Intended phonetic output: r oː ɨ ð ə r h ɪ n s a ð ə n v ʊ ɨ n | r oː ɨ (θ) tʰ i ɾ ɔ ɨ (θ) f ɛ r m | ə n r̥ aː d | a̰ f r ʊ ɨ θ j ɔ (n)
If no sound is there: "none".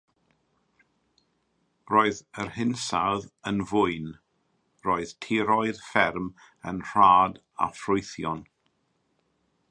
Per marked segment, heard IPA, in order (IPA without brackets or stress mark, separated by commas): ð, ð, n